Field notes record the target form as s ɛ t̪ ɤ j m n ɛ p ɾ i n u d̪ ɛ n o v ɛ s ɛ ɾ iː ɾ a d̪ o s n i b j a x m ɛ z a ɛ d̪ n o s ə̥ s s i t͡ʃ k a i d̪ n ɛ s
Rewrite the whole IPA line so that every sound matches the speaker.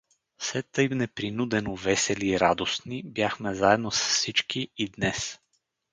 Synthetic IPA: s ɛ t̪ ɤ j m n ɛ p ɾ i n u d̪ ɛ n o v ɛ s ɛ l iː ɾ a d̪ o s n i b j a x m ɛ z a ɛ d̪ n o s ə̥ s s i t͡ʃ k i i d̪ n ɛ s